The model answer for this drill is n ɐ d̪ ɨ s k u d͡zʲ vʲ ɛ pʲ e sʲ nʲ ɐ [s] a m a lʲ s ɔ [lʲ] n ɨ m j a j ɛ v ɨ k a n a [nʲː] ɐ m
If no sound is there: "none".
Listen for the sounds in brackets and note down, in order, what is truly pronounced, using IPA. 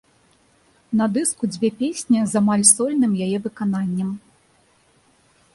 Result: z, lʲ, nʲː

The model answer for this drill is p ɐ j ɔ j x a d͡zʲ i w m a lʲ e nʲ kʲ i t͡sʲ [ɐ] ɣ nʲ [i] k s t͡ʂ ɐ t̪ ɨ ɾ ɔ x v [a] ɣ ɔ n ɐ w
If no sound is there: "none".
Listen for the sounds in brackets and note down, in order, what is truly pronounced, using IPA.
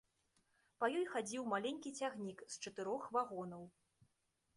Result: a, i, a

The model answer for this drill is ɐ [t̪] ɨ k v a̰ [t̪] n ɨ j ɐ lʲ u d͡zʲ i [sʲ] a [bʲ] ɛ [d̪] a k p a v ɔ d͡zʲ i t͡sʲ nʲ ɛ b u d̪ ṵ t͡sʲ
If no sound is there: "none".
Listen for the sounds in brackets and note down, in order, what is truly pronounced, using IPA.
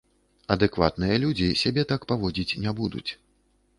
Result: d̪, t̪, sʲ, bʲ, t̪

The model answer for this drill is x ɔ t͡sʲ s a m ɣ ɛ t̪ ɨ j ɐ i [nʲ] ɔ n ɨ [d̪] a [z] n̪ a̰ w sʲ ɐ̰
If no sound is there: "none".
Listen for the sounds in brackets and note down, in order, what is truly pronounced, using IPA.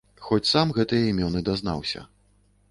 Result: mʲ, d̪, z

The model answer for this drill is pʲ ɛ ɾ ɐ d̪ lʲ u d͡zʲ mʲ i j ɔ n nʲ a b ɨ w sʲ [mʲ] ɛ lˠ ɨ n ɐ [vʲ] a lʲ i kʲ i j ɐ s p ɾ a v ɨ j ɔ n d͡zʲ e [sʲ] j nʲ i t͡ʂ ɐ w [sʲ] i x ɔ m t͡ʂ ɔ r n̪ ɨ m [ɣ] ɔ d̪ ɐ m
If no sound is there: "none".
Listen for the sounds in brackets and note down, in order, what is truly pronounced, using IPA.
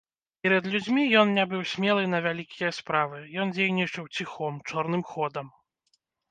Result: mʲ, vʲ, none, t͡sʲ, x

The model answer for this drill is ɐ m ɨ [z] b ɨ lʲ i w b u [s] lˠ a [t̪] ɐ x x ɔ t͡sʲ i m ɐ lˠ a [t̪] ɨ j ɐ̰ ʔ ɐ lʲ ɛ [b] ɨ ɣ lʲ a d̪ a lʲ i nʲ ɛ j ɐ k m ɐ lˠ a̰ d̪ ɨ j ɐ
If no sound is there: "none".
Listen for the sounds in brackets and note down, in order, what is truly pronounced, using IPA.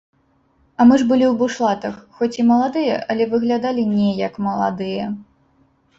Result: ʐ, ʂ, t̪, d̪, v

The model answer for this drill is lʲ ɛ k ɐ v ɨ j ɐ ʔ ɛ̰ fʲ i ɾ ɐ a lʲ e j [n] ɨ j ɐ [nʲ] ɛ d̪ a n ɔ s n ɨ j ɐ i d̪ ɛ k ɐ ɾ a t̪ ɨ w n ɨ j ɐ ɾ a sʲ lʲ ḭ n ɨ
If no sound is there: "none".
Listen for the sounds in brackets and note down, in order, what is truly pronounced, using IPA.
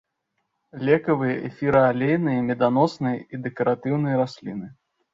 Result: n, mʲ

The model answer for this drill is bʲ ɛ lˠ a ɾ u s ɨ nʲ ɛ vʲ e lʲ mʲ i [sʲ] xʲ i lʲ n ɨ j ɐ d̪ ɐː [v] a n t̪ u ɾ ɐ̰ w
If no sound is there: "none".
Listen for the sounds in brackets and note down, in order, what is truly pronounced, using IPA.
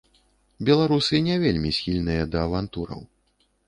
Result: sʲ, v

